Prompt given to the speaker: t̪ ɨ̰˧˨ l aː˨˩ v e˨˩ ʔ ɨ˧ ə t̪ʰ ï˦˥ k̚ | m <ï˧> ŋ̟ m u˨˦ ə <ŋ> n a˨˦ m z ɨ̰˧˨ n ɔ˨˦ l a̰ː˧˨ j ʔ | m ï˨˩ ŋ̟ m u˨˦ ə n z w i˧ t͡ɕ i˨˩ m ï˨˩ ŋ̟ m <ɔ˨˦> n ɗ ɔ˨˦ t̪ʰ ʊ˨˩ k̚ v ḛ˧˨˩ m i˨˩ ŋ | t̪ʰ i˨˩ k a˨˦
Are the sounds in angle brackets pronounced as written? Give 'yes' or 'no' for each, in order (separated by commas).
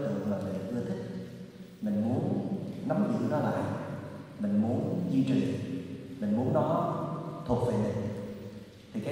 no, no, no